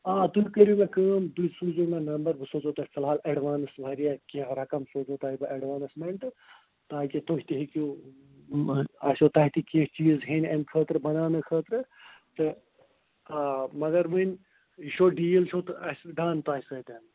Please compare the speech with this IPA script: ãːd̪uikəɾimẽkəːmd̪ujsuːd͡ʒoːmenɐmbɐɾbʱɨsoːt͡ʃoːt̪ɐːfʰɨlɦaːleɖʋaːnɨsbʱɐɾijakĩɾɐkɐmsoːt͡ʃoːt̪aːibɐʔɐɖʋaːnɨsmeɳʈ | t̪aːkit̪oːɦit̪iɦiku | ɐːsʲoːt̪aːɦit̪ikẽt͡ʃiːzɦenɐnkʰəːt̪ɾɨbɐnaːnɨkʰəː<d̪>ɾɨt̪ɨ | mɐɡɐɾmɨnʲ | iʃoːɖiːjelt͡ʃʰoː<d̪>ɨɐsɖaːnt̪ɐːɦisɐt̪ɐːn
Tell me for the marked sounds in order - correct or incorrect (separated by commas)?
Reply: incorrect, incorrect